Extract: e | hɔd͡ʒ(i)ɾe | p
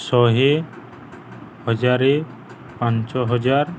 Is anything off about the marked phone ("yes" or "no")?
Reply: yes